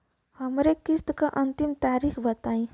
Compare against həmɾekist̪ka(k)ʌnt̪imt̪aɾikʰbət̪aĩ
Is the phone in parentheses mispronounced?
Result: yes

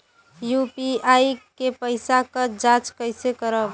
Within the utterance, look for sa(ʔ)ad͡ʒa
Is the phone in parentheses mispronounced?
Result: yes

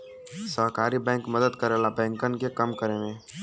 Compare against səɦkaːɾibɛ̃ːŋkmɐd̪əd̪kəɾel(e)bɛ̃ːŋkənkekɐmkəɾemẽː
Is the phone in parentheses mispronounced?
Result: yes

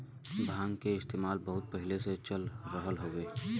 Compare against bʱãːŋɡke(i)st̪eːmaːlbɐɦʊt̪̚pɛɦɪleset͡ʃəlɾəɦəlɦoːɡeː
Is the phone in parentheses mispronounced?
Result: yes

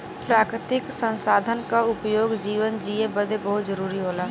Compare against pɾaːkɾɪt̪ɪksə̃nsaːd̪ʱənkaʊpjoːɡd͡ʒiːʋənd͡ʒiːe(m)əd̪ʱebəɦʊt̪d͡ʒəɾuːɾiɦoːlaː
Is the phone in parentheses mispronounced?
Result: yes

